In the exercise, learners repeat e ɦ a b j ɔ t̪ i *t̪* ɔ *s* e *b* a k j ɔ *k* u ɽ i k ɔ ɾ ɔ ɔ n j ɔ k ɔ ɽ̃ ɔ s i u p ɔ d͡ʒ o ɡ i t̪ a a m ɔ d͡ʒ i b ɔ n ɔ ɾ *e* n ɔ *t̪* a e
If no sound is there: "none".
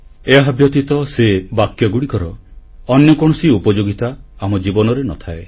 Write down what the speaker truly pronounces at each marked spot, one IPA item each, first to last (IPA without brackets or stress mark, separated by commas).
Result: t̪, s, b, ɡ, e, t̪ʰ